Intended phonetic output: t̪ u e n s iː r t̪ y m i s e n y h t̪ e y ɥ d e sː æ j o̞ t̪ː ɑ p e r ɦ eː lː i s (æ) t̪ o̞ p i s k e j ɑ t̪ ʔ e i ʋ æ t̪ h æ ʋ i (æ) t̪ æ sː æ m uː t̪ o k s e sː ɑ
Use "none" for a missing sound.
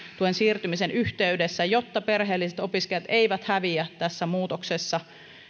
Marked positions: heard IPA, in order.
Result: e, æ

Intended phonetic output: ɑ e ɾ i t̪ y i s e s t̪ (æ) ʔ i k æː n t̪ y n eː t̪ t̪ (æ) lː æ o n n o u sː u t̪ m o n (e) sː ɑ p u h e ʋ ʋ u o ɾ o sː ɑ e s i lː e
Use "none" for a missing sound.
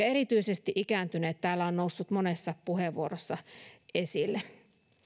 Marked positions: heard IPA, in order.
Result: i, æː, e

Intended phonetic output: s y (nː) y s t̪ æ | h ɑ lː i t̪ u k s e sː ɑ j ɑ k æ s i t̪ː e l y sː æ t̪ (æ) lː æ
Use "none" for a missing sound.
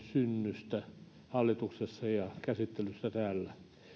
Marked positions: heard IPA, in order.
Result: nː, æː

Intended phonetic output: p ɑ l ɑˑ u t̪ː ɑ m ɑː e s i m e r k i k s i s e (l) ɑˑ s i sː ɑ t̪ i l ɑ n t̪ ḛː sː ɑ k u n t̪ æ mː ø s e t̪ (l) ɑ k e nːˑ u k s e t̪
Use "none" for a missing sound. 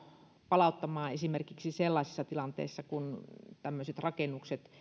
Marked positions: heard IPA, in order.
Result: lː, r

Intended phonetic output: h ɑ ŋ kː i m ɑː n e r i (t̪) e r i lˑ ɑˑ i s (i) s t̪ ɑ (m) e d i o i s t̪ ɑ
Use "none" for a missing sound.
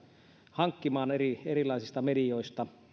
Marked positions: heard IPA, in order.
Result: none, i, m

